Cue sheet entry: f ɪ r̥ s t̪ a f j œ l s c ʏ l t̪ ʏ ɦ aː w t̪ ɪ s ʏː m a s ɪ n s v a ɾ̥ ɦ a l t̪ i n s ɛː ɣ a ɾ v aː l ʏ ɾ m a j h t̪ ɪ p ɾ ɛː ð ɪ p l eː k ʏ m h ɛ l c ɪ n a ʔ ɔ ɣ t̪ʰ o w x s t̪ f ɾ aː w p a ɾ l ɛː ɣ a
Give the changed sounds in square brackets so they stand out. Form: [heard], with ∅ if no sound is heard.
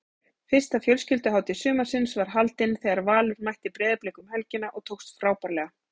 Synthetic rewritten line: f ɪ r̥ s t̪ a f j œ l s c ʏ l t̪ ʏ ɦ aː w t̪ ɪ s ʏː m a s ɪ n s v a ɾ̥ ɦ a l t̪ [ɪ] n [θ] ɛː ɣ a ɾ v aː l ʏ ɾ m a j h t̪ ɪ p ɾ ɛː ð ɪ p l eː k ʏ m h ɛ l c ɪ n a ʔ ɔ ɣ t̪ʰ o w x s t̪ f ɾ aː w p a ɾ l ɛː ɣ a